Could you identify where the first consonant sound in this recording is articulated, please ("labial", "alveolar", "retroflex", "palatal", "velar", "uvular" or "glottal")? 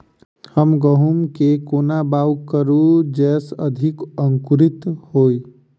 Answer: glottal